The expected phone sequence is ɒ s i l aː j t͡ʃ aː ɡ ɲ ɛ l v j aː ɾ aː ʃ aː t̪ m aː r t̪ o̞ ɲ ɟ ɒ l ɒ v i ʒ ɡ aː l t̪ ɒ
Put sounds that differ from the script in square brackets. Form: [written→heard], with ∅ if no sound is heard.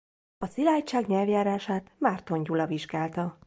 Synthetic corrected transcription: ɒ s i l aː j t͡ʃ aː ɡ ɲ ɛ l v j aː ɾ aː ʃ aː t̪ m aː r t̪ o̞ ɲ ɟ [ɒ→u] l ɒ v i ʒ ɡ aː l t̪ ɒ